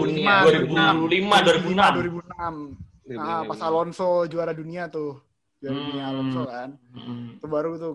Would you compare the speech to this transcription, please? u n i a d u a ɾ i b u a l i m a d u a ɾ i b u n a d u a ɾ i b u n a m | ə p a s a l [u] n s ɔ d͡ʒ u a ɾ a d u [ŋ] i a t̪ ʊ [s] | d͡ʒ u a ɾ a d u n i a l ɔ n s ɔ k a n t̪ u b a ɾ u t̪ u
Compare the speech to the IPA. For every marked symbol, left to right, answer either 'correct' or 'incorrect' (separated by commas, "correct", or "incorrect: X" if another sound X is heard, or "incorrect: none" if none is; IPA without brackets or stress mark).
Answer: incorrect: ɔ, incorrect: n, incorrect: h